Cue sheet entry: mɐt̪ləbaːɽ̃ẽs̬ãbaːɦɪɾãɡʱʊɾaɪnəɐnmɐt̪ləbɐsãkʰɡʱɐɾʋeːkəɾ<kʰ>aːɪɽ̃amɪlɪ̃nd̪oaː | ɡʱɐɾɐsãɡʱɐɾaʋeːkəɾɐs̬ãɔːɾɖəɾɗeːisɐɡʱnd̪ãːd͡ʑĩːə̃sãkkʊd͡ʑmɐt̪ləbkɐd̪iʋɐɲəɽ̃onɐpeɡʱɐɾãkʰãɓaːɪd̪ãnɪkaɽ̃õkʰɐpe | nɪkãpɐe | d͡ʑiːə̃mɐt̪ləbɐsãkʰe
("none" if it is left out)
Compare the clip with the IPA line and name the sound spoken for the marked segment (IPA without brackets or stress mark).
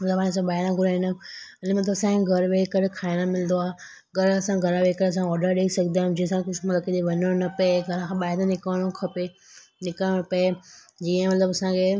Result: kʰ